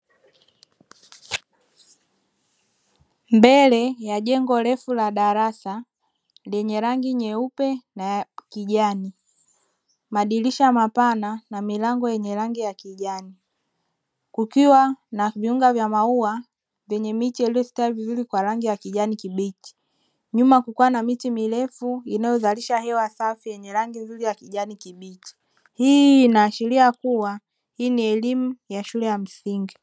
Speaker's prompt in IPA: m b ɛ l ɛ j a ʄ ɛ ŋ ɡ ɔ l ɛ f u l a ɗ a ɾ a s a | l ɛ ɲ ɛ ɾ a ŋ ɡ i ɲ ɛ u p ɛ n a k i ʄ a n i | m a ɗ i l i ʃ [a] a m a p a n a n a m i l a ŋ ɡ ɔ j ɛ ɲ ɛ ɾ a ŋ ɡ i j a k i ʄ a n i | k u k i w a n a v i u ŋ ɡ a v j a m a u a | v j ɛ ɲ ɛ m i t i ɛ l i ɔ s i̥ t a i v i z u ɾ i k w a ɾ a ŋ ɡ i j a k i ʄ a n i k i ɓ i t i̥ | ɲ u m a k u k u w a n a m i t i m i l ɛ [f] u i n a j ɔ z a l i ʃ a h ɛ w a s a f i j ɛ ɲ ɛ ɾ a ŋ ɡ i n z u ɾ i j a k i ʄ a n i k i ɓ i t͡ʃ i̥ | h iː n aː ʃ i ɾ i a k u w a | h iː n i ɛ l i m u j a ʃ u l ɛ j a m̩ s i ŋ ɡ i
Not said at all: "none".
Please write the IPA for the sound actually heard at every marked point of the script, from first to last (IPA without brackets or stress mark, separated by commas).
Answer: a, f